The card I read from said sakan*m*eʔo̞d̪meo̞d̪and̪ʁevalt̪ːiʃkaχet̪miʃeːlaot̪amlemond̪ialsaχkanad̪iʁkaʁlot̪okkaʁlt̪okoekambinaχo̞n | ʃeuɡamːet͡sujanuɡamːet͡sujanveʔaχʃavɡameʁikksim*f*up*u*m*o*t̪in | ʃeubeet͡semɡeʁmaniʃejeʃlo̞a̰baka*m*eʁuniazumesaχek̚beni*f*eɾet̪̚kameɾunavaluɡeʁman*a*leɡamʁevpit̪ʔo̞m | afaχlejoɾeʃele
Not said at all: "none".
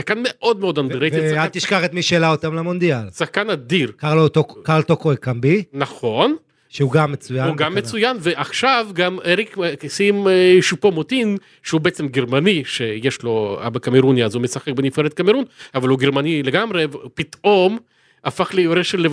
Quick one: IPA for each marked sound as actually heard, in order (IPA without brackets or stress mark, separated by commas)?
m, ʃ, o, o, m, f, i